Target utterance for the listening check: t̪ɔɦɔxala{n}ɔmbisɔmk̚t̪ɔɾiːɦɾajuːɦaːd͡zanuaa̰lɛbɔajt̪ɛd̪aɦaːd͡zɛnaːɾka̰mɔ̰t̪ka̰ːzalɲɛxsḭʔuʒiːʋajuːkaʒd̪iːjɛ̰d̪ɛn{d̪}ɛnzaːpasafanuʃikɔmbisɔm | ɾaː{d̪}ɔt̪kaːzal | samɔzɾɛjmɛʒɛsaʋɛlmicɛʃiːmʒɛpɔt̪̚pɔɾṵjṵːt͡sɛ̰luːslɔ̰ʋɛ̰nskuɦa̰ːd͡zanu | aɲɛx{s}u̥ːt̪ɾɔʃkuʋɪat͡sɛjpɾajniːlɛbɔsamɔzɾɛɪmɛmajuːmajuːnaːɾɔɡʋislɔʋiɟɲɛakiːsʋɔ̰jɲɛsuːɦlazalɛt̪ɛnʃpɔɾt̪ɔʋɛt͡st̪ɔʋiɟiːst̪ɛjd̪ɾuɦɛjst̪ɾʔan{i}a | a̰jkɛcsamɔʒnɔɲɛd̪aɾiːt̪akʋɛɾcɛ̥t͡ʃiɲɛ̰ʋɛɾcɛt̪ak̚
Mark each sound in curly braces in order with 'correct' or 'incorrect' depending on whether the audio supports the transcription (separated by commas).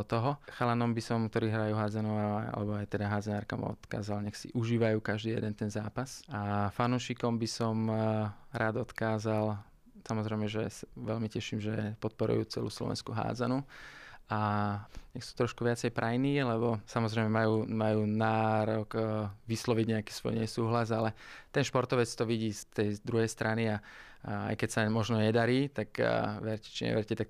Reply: correct, incorrect, correct, correct, correct